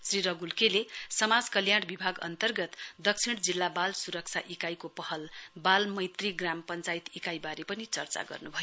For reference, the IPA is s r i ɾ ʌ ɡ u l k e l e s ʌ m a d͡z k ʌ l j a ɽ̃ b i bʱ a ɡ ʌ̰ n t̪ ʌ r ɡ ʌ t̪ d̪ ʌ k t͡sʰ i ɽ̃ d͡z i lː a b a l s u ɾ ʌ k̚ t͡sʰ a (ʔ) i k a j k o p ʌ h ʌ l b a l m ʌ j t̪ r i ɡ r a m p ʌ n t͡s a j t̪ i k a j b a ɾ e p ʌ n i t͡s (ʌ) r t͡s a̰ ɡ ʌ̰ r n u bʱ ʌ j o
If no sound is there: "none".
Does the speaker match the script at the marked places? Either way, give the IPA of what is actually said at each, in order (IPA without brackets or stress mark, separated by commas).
ʔ, ʌ